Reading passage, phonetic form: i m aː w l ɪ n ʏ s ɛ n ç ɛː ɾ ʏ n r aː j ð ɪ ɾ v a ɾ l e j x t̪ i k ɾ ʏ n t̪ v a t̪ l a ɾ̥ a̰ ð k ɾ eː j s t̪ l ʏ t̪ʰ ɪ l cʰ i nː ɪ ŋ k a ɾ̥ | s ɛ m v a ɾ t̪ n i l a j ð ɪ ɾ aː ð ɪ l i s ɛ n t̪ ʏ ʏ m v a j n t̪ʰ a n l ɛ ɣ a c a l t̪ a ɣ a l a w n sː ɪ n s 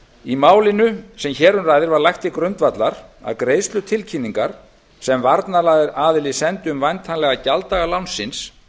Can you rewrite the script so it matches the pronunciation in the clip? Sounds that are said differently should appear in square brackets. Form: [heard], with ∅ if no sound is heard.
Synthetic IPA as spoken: i m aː w l ɪ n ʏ s ɛ [m] ç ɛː ɾ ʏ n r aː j ð ɪ ɾ v a ɾ l [a] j x t̪ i k ɾ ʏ n t̪ v a t̪ l a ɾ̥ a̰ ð k ɾ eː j s t̪ l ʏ t̪ʰ ɪ l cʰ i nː [i] ŋ k a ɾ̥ | s ɛ m v a ɾ t̪ n [a] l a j ð ɪ ɾ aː ð ɪ l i s ɛ n t̪ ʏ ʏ m v a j n t̪ʰ a n l ɛ ɣ a c a l t̪ a ɣ a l a w n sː ɪ n s